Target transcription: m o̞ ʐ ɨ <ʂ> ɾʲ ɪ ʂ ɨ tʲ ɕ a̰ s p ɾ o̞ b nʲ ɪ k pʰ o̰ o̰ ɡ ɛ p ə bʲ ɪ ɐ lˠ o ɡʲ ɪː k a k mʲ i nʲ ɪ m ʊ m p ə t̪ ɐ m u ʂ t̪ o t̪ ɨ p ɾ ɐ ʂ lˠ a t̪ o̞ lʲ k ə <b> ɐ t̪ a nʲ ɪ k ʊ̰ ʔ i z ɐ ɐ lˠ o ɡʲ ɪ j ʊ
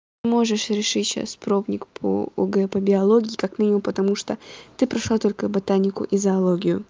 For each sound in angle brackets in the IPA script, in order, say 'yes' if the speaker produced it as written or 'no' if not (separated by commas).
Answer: yes, yes